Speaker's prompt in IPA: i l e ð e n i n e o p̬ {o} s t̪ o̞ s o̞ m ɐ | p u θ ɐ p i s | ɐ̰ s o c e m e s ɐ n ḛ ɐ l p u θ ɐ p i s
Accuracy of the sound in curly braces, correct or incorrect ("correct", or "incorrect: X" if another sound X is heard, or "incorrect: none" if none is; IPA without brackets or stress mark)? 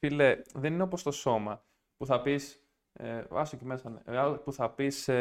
correct